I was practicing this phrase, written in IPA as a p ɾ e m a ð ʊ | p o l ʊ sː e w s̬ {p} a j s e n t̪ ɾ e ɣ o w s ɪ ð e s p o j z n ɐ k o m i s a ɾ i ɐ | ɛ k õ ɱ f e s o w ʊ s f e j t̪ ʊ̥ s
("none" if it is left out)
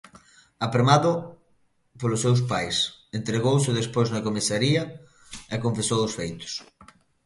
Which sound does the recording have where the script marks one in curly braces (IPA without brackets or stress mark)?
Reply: p